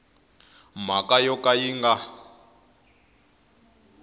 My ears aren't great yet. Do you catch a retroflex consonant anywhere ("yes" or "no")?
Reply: no